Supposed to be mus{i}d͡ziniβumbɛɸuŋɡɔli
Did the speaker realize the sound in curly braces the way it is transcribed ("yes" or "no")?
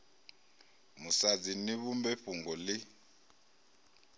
no